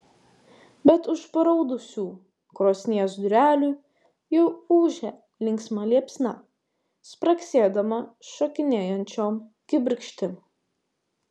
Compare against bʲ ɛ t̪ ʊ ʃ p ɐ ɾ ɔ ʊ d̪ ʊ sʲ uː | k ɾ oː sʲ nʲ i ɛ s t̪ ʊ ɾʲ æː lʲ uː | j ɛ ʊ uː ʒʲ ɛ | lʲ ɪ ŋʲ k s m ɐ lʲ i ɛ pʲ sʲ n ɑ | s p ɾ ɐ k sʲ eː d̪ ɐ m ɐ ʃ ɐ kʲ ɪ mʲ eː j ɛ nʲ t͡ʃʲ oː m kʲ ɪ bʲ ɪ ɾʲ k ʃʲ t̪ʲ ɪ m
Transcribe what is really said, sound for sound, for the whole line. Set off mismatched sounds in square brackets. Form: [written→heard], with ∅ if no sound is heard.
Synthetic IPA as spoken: bʲ ɛ t̪ ʊ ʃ p ɐ ɾ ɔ ʊ d̪ ʊ sʲ uː | k ɾ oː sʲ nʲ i ɛ s [t̪→d̪] ʊ ɾʲ æː lʲ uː | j ɛ ʊ uː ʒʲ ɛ | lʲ ɪ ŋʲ k s m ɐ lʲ i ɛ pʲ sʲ n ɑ | s p ɾ ɐ k sʲ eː d̪ ɐ m ɐ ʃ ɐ kʲ ɪ [mʲ→nʲ] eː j ɛ nʲ t͡ʃʲ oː m kʲ ɪ bʲ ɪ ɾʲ k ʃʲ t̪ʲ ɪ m